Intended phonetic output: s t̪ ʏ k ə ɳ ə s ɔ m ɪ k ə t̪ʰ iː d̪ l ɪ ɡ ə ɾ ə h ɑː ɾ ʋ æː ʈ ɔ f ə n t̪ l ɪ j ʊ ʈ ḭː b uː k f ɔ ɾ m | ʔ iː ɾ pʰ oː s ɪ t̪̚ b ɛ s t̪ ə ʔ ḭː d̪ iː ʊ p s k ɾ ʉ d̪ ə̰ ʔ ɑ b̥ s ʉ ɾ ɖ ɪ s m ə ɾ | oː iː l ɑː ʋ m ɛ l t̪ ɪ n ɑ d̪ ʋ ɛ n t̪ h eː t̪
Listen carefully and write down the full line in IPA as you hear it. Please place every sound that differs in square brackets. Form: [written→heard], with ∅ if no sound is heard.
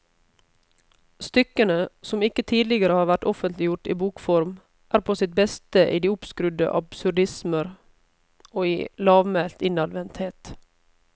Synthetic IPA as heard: s t̪ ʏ k ə [ɳ→n] ə s ɔ m ɪ k ə t̪ʰ iː d̪ l ɪ ɡ ə ɾ ə h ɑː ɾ ʋ [æː→æ] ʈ ɔ f ə n t̪ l ɪ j ʊ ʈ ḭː b uː k f ɔ ɾ m | ʔ [iː→æː] ɾ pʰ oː s ɪ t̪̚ b ɛ s t̪ ə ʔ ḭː d̪ iː ʊ p s k ɾ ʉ d̪ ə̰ ʔ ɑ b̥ s ʉ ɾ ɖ ɪ s m ə ɾ | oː iː l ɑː ʋ m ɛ l t̪ ɪ n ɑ d̪ ʋ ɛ n t̪ h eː t̪

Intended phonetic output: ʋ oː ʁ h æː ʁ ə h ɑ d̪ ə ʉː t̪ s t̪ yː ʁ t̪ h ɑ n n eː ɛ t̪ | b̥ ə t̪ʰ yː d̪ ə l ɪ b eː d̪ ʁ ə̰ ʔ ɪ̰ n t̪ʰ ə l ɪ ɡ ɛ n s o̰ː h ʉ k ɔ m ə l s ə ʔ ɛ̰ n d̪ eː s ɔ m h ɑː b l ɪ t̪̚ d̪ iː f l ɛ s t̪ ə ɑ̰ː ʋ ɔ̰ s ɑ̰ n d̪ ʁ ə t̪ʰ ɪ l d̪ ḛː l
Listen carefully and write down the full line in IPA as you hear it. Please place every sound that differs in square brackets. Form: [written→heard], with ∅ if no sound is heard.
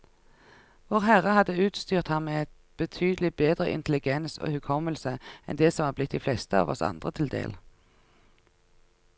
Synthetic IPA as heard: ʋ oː ʁ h [æː→æ] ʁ ə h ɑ d̪ ə ʉː t̪ s t̪ yː ʁ t̪ h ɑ n [n→m] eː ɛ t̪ | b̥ ə t̪ʰ yː d̪ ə l ɪ b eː d̪ ʁ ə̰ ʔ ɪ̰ n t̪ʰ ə l ɪ ɡ ɛ n s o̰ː h ʉ [k→kʰ] ɔ m ə l s ə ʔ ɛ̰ n d̪ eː s ɔ m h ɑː b l ɪ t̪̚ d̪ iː f l ɛ s t̪ ə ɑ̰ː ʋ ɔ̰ s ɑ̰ n d̪ ʁ ə t̪ʰ ɪ l d̪ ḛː l

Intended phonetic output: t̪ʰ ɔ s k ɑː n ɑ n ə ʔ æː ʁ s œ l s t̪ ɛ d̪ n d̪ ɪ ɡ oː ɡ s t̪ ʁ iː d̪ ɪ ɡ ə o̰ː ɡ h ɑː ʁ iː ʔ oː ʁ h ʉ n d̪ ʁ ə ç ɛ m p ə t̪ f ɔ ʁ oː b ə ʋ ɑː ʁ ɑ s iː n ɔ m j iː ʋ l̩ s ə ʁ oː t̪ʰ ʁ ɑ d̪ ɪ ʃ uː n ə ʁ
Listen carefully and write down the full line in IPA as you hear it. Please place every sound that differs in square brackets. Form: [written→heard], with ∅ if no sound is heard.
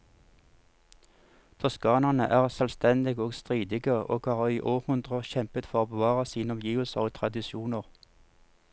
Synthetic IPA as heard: t̪ʰ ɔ s k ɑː n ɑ n ə ʔ æː ʁ s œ l s t̪ ɛ [d̪→∅] n d̪ ɪ ɡ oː ɡ s t̪ ʁ iː d̪ ɪ ɡ ə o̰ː ɡ h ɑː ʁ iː ʔ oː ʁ h ʉ n d̪ ʁ ə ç ɛ m p ə t̪ f ɔ ʁ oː b ə ʋ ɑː ʁ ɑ s iː n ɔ m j iː ʋ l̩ s ə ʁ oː t̪ʰ ʁ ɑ d̪ ɪ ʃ uː n ə ʁ

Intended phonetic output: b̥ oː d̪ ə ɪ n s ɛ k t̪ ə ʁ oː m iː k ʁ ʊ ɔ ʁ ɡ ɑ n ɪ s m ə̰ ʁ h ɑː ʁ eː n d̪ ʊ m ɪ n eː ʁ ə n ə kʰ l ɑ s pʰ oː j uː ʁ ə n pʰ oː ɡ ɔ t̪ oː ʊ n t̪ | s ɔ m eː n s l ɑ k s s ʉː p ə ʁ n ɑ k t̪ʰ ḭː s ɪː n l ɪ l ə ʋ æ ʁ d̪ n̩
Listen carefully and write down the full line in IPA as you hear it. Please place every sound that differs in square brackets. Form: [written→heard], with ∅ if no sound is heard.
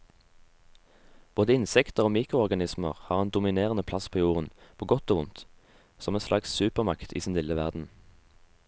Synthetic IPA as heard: b̥ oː d̪ ə ɪ n s ɛ k t̪ ə ʁ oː m iː k ʁ ʊ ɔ ʁ ɡ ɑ n ɪ s m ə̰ ʁ h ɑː ʁ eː n d̪ ʊ m ɪ n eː ʁ ə n ə [kʰ→pʰ] l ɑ s pʰ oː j uː ʁ ə n pʰ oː ɡ ɔ t̪ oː ʊ n t̪ | s ɔ m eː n s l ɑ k s s ʉː p ə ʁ [n→m] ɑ k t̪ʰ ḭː s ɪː n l ɪ l ə ʋ æ ʁ d̪ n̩

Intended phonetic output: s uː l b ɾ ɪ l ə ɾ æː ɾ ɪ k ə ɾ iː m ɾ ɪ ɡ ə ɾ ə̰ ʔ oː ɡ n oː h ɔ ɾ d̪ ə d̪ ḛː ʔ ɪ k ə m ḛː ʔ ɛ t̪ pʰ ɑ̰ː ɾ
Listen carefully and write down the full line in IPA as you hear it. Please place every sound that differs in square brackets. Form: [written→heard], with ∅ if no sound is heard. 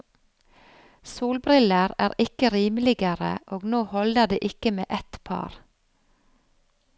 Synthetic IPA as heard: s uː l b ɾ ɪ l ə ɾ æː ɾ ɪ k ə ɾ iː m [ɾ→l] ɪ ɡ ə ɾ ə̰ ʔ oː ɡ n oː h ɔ [ɾ→l] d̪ ə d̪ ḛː ʔ ɪ k ə m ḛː ʔ ɛ t̪ pʰ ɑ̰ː ɾ

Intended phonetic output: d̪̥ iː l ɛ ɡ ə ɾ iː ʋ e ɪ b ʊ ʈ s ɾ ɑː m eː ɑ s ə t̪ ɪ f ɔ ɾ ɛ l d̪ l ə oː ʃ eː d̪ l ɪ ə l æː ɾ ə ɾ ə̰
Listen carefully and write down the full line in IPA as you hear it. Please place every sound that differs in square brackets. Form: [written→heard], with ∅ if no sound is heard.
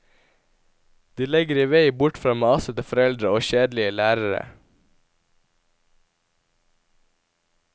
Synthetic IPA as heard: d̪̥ iː l ɛ ɡ ə ɾ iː ʋ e ɪ b ʊ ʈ [s→f] ɾ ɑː m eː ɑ s ə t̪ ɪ f ɔ ɾ ɛ l d̪ [l→ɾ] ə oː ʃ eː d̪ l ɪ ə l æː ɾ ə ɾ ə̰

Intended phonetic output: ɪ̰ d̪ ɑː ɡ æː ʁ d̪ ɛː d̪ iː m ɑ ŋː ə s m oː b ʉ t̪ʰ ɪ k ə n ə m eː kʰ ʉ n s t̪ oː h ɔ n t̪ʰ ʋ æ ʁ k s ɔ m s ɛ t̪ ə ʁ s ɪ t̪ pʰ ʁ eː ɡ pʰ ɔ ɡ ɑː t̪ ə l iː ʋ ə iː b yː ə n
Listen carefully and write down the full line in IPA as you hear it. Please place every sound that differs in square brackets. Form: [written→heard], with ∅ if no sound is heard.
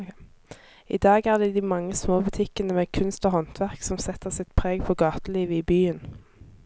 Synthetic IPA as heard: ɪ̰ d̪ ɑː ɡ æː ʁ d̪ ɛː d̪ iː m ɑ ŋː ə s m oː b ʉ t̪ʰ ɪ k ə n ə m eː kʰ ʉ n s t̪ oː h ɔ n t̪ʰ ʋ æ ʁ k s ɔ m s ɛ t̪ ə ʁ s ɪ t̪ pʰ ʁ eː ɡ pʰ ɔ ɡ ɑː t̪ ə l iː ʋ ə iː b yː ə n

